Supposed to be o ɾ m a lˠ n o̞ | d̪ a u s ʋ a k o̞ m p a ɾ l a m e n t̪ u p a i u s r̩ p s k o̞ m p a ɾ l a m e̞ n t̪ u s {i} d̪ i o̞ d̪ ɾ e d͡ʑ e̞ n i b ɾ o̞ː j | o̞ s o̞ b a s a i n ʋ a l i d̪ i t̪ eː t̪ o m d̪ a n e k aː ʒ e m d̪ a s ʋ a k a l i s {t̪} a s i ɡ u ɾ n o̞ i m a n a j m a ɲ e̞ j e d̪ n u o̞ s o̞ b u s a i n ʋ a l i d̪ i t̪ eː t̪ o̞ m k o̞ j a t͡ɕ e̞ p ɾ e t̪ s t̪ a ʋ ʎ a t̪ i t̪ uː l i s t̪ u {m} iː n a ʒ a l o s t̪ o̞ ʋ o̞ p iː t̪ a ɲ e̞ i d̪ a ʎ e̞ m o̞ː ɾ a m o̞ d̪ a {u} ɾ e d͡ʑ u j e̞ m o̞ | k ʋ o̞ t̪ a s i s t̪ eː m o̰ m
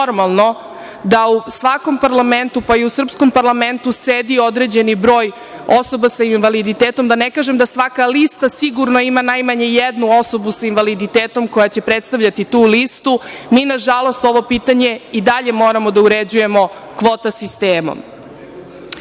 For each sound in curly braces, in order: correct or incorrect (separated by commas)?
incorrect, correct, correct, correct